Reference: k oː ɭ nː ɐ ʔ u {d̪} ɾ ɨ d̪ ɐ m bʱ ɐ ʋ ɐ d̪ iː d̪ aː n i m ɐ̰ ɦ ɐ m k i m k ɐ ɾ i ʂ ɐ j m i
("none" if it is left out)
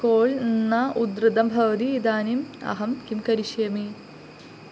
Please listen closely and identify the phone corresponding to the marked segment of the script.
d̪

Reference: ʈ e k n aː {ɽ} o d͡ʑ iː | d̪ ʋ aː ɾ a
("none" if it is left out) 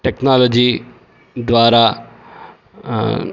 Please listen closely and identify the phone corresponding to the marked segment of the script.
l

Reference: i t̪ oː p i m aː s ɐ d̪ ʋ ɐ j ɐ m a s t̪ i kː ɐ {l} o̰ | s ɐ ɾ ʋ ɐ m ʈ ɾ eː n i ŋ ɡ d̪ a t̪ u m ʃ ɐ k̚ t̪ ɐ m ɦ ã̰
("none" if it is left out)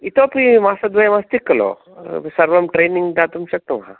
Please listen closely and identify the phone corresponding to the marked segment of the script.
l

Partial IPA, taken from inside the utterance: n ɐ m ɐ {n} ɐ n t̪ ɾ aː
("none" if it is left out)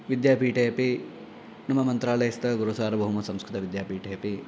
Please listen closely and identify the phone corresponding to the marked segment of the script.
m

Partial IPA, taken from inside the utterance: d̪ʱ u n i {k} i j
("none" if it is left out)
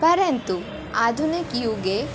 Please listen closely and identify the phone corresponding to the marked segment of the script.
k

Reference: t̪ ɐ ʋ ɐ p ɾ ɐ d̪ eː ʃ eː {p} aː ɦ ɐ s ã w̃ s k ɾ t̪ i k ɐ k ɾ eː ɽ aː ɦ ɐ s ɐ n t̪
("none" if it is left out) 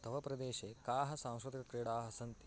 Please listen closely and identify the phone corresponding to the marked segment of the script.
k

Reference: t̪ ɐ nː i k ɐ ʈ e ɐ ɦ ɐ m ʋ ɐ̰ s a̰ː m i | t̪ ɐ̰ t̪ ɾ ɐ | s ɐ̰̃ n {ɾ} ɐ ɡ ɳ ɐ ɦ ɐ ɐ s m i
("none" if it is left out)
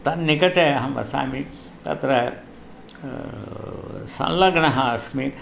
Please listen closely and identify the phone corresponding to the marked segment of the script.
l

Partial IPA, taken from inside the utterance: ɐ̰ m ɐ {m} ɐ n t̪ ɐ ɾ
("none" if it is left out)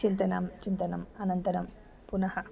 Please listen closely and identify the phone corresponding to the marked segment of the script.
n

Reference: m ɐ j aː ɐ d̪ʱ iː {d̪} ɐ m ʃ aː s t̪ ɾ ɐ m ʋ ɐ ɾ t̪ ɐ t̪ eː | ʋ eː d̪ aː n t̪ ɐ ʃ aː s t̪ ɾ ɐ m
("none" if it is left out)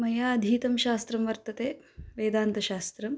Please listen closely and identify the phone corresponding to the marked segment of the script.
t̪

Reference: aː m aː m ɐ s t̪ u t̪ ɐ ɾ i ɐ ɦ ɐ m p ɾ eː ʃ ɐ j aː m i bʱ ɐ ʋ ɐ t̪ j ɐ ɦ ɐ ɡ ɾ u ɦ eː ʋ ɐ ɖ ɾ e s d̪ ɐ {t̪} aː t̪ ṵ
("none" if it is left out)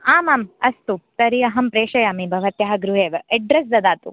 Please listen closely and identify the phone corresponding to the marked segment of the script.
d̪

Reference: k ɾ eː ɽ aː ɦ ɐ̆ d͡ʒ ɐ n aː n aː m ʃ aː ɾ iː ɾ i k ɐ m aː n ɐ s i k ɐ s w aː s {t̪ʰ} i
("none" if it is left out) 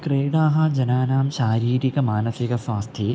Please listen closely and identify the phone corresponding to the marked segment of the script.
t̪ʰ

